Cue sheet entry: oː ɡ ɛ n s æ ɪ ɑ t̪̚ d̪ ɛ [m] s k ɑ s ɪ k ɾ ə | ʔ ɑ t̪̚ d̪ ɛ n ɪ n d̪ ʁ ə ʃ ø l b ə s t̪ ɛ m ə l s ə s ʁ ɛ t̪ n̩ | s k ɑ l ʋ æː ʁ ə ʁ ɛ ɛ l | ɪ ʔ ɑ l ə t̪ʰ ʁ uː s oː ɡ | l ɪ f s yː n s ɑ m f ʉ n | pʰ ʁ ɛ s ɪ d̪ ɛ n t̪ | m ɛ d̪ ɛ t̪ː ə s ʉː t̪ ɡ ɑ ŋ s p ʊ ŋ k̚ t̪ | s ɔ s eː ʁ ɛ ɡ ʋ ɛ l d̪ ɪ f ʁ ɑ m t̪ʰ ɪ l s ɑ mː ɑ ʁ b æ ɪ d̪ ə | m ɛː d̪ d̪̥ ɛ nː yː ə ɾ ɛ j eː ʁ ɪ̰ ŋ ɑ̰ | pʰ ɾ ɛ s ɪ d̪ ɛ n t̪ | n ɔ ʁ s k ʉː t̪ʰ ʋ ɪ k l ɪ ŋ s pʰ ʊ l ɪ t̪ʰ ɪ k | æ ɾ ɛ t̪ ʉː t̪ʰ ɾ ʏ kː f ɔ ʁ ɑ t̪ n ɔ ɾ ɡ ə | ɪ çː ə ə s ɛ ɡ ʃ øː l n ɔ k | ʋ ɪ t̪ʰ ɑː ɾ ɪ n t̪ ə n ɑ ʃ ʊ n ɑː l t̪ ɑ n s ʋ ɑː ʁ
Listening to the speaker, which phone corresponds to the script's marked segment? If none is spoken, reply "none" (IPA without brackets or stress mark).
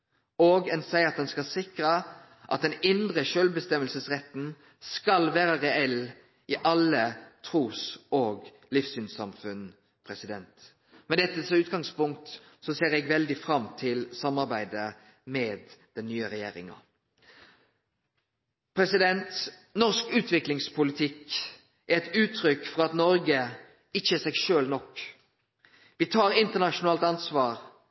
n